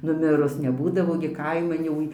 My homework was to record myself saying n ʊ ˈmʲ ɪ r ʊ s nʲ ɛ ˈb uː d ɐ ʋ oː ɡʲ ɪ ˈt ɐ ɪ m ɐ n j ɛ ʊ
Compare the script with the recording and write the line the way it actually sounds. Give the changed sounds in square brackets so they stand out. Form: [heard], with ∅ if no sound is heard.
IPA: n ʊ ˈmʲ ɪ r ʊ s nʲ ɛ ˈb uː d ɐ ʋ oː ɡʲ ɪ [ˈk] ɐ ɪ m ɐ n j ɛ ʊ